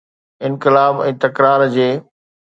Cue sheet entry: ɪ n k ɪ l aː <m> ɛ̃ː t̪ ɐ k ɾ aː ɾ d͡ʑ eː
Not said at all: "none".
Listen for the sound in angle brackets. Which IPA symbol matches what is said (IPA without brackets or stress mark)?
b